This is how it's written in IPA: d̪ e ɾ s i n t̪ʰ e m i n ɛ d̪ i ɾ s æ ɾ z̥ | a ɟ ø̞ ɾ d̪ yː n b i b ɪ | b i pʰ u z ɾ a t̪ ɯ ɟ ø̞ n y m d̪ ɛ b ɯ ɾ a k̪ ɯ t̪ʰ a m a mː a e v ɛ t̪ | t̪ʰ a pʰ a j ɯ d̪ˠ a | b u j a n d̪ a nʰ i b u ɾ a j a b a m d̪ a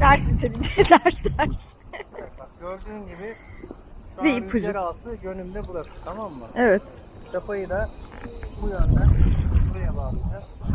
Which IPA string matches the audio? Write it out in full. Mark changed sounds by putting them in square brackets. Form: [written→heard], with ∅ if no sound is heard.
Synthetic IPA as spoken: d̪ [e→æ] ɾ s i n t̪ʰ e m i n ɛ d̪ [i→æ] ɾ s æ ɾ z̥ | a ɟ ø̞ ɾ d̪ yː n [b→ɟ] i b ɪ | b i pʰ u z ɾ a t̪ ɯ ɟ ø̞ n y m d̪ ɛ b [ɯ→u] ɾ a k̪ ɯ t̪ʰ a m a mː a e v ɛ t̪ | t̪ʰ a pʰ a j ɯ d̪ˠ a | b u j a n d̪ a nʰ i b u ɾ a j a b a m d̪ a